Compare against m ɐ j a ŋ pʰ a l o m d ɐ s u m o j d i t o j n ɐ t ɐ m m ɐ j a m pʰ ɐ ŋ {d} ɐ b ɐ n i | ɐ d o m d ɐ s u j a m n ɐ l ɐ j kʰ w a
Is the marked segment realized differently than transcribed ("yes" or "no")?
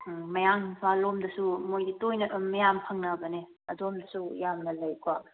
yes